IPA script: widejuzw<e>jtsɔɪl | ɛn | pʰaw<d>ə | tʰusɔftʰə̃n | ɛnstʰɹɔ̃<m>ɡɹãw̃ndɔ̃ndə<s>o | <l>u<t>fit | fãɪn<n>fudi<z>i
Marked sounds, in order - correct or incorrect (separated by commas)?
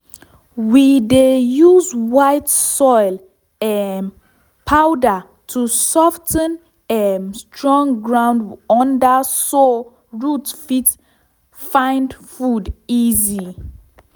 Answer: incorrect, correct, incorrect, correct, incorrect, correct, incorrect, correct